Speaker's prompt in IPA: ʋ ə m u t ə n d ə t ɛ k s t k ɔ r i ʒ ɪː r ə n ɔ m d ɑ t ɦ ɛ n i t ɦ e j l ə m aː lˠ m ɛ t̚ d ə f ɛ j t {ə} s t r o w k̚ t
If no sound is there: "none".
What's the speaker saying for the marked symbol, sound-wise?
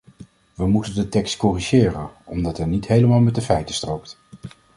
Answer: ə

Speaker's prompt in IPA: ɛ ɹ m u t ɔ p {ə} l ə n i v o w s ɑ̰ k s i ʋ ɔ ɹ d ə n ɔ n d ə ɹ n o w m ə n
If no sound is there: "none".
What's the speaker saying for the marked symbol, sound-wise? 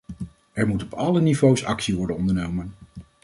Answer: ɑ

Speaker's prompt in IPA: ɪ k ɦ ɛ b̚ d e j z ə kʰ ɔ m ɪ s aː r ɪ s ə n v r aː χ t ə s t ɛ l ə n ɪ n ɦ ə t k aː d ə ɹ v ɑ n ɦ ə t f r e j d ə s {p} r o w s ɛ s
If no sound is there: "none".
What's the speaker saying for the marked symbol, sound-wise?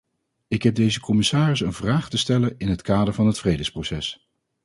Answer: p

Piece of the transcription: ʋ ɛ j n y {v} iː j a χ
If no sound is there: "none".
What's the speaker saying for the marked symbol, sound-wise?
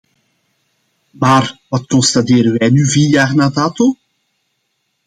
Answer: v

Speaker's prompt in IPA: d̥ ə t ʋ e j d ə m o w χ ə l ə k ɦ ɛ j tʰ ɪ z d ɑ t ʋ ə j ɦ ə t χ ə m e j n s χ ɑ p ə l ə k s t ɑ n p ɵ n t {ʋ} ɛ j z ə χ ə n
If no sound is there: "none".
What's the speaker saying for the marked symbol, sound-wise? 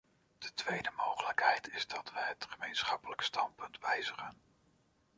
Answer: ʋ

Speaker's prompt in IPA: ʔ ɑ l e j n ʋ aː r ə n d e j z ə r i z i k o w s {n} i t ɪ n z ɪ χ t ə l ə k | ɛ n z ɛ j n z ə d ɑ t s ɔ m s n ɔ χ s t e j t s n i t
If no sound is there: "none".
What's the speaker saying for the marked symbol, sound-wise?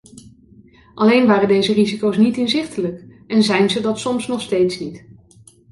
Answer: n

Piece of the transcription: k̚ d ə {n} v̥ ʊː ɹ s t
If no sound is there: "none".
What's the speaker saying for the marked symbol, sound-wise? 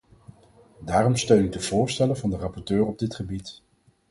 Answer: none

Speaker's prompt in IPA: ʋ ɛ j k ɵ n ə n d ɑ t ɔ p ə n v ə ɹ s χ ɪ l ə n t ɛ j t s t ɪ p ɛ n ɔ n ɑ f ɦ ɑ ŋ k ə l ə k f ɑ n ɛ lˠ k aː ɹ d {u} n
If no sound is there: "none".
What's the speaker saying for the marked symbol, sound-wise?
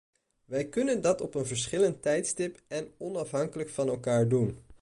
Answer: u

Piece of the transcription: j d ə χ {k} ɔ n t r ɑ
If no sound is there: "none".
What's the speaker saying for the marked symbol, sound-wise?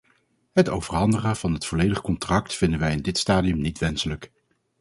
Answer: k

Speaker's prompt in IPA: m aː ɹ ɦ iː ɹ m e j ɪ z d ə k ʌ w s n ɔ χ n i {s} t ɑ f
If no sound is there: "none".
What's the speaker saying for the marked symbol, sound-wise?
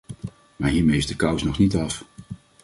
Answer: none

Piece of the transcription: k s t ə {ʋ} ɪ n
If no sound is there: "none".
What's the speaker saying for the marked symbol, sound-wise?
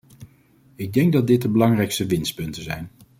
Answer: ʋ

